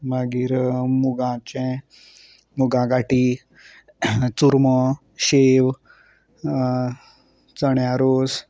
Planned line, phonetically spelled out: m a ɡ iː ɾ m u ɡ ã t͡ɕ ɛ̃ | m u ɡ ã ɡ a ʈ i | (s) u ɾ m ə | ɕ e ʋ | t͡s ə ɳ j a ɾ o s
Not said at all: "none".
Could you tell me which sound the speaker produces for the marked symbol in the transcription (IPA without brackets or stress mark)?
t͡s